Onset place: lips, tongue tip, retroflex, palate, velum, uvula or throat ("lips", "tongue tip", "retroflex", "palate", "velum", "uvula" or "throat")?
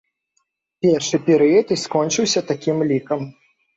lips